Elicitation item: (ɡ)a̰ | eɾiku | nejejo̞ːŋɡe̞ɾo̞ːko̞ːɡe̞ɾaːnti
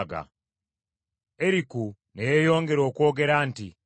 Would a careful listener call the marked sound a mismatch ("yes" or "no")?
no